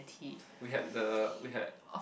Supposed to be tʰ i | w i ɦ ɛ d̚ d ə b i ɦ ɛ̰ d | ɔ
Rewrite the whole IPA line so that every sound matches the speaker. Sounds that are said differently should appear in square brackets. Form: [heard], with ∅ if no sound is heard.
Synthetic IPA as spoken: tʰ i | w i ɦ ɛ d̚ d ə [w] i ɦ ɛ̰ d | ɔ